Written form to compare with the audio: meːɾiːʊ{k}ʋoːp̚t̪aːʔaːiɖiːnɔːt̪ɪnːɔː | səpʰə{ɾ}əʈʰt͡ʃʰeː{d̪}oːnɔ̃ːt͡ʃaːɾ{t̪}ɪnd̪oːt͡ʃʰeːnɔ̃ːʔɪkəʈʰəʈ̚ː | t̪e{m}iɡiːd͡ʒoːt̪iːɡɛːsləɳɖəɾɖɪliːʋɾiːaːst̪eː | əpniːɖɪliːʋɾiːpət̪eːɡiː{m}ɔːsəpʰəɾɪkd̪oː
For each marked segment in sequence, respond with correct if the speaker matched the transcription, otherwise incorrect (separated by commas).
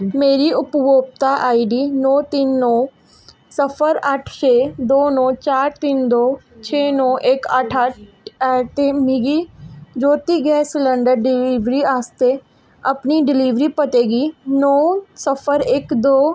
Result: incorrect, correct, correct, correct, correct, incorrect